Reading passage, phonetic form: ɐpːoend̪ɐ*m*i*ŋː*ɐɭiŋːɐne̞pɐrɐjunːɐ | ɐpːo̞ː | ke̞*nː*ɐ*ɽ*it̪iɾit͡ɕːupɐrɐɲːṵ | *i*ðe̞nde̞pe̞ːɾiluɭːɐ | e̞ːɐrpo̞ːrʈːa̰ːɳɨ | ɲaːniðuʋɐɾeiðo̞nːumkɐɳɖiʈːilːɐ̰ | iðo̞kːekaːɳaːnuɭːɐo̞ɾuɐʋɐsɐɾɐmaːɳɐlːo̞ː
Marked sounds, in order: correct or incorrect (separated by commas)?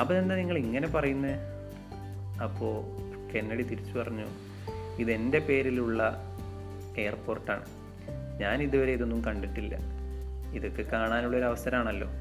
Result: incorrect, correct, correct, correct, correct